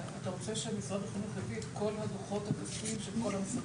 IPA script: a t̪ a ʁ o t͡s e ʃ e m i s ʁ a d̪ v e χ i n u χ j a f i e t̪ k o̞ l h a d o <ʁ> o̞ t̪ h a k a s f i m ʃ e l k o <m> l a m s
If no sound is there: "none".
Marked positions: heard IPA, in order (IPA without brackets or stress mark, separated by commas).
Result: χ, none